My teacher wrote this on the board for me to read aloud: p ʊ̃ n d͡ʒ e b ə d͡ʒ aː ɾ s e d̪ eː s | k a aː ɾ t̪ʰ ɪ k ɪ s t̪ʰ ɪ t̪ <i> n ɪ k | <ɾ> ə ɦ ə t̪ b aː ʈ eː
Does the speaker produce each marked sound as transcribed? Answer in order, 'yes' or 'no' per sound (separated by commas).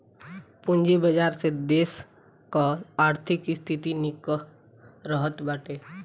yes, yes